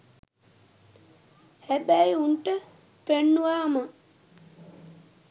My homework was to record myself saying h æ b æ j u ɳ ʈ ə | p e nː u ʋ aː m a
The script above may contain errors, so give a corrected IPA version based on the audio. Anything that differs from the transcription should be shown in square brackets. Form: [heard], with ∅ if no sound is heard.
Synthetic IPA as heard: h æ b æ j u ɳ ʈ ə | p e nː u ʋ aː m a